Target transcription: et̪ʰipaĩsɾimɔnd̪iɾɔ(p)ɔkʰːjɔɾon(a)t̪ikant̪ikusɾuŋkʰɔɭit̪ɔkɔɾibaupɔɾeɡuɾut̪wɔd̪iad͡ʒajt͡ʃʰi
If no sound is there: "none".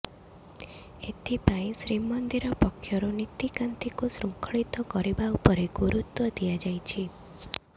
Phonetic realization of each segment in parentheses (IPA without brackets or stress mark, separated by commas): p, i